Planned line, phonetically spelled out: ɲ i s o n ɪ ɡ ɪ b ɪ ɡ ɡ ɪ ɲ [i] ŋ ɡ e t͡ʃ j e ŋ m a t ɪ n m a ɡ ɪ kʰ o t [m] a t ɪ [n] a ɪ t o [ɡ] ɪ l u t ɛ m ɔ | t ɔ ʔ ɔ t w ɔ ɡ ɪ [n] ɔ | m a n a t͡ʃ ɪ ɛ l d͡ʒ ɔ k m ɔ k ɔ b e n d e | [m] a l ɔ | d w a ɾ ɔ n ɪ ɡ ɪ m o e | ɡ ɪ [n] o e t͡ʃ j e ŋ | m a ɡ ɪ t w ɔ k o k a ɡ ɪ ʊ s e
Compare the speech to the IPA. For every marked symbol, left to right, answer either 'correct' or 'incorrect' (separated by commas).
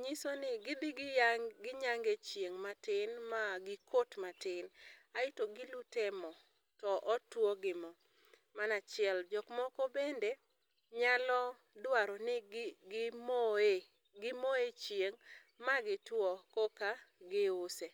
incorrect, correct, correct, correct, incorrect, incorrect, incorrect